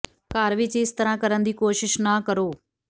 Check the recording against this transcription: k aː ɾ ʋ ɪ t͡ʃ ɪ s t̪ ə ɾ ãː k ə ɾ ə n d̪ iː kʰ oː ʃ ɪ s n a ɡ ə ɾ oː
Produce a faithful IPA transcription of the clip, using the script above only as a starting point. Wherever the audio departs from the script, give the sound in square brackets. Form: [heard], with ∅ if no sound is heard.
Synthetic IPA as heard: k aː ɾ ʋ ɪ t͡ʃ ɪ s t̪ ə ɾ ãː k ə ɾ ə n d̪ iː [k] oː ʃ ɪ [ʃ] n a [k] ə ɾ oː